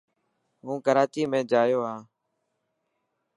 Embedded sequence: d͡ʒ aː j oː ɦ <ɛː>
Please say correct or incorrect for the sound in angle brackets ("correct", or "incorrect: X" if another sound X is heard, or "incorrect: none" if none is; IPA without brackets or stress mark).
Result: incorrect: aː